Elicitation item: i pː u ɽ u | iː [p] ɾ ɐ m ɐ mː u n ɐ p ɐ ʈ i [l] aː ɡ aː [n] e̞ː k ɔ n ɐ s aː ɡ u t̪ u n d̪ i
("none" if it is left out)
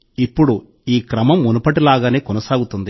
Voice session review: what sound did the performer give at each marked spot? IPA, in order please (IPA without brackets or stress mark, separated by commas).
k, l, n